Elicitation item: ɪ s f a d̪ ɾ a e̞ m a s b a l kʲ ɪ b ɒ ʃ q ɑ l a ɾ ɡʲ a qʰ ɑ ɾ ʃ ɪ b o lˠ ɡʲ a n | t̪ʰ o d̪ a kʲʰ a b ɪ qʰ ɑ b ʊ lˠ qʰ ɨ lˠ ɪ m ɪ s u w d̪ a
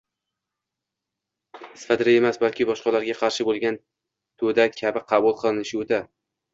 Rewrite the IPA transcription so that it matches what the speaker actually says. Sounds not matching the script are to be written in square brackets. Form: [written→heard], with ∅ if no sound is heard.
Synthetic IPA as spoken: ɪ s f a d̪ ɾ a e̞ m a s b a l kʲ ɪ b ɒ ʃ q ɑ l a ɾ ɡʲ a qʰ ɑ ɾ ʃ ɪ b o lˠ ɡʲ a n | t̪ʰ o d̪ a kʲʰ a b ɪ qʰ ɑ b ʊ lˠ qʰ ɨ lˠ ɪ [m→n] ɪ [s→ʃ] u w d̪ a